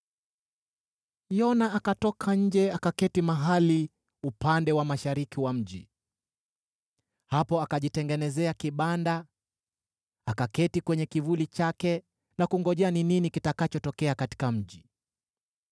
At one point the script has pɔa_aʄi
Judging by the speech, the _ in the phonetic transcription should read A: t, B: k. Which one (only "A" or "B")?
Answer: B